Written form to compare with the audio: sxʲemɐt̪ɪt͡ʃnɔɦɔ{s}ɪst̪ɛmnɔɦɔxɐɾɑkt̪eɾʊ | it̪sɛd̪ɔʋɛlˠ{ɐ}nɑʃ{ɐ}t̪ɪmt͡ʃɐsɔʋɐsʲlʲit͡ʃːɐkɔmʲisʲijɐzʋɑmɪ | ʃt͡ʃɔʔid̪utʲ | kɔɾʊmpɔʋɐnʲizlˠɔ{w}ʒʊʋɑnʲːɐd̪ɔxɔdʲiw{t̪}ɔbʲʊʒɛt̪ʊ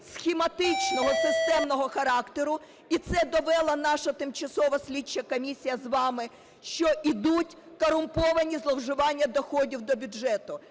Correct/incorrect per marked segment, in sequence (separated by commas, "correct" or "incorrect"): correct, correct, correct, correct, incorrect